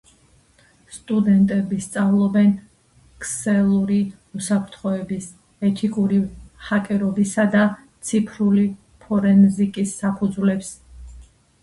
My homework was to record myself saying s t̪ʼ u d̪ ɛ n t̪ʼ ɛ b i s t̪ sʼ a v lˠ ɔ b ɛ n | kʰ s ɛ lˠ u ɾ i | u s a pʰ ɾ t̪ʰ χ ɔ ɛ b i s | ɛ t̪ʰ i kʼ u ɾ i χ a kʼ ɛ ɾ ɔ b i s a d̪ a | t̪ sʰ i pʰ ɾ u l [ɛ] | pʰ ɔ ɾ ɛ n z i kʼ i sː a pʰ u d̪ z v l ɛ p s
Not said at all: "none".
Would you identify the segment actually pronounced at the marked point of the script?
i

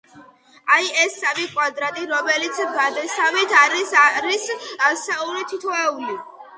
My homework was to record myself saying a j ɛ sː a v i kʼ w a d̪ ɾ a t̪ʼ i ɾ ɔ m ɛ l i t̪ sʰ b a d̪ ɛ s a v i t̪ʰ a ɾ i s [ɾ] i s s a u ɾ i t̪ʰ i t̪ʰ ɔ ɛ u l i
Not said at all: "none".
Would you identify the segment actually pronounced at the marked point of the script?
ɾ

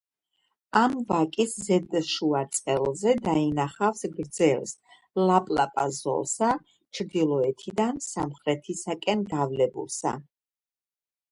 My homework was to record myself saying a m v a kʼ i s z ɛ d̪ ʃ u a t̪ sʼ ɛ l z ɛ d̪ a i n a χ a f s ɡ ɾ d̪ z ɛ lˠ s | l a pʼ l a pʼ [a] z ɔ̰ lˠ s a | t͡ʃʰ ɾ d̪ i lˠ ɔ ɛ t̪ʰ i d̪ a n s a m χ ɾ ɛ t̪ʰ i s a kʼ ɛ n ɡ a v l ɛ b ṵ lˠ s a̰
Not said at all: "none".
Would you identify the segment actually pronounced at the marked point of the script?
a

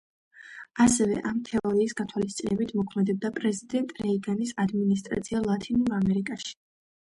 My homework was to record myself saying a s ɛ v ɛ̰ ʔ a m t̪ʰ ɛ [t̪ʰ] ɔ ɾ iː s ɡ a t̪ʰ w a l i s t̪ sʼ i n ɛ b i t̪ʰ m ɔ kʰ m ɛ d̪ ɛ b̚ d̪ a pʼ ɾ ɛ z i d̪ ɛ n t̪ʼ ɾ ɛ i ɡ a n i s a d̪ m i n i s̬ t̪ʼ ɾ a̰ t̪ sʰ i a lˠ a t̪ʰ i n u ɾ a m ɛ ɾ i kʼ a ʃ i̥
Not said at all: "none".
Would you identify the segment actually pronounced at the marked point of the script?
none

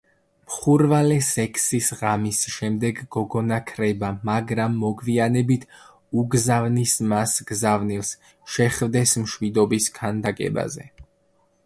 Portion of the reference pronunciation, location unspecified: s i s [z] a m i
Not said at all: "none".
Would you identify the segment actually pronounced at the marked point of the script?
ʁ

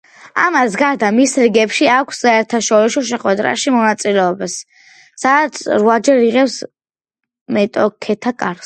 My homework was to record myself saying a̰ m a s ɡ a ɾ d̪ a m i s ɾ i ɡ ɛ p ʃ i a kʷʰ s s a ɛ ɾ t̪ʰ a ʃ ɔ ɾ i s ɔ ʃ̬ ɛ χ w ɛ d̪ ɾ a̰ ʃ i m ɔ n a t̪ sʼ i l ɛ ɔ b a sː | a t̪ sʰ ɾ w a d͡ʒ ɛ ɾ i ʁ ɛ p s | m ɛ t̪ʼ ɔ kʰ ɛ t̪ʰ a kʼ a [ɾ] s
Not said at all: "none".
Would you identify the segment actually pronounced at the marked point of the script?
ɾ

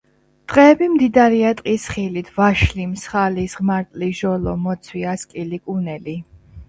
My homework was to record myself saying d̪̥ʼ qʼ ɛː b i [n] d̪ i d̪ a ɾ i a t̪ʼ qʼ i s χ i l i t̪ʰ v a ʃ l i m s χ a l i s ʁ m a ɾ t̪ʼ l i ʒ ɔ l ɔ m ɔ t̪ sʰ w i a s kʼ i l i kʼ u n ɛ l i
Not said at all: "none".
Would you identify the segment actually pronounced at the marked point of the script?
m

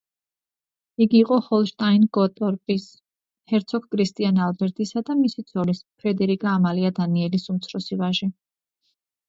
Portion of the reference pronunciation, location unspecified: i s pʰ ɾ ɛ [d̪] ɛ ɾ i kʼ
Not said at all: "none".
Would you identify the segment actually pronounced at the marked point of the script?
d̪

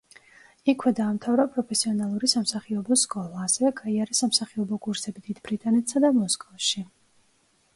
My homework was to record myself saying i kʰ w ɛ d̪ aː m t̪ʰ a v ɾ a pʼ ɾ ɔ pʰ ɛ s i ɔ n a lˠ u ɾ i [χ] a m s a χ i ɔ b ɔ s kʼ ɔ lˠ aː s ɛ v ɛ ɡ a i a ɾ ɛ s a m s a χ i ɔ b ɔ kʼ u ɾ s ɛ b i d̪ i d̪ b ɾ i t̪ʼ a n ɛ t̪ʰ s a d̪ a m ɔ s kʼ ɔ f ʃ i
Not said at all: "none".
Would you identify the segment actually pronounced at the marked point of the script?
s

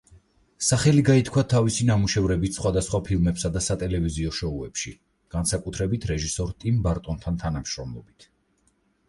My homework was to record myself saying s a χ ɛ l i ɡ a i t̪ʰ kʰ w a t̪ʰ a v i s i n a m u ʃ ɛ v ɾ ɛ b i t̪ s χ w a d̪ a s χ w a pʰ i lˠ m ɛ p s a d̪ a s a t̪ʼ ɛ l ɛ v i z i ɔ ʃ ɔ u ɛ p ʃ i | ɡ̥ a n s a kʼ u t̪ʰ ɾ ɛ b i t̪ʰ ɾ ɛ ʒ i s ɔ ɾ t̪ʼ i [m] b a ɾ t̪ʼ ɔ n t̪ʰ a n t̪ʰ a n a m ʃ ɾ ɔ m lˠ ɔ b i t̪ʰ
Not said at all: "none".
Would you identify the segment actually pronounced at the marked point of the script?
m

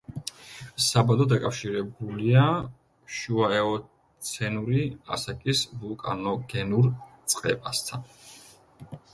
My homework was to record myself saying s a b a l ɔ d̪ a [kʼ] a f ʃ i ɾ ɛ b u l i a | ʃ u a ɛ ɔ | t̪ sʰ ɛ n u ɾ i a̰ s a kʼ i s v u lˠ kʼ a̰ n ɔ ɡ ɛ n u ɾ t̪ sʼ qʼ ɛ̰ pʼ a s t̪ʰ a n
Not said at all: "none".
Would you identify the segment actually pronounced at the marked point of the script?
kʼ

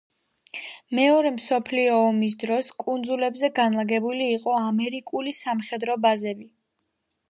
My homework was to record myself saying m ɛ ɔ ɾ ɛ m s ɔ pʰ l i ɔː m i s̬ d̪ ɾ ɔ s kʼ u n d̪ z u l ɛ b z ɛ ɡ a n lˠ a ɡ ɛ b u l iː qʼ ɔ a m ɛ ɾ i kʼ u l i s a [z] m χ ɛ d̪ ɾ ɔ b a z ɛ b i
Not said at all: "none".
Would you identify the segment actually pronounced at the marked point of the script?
none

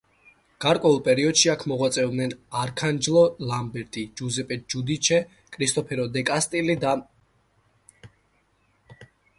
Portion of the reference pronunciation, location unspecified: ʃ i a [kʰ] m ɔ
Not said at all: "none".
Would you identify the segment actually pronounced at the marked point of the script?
kʰ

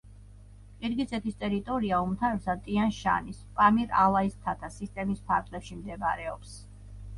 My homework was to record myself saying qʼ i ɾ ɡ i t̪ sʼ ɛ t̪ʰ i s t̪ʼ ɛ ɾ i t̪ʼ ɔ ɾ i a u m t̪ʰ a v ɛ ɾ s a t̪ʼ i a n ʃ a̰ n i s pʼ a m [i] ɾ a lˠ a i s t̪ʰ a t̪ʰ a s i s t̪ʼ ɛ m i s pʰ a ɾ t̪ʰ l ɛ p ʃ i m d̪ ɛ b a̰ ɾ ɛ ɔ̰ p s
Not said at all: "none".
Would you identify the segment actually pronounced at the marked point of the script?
i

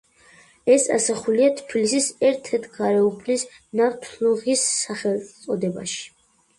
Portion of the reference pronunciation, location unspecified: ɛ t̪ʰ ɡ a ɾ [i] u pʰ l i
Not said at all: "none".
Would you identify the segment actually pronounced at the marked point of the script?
ɛ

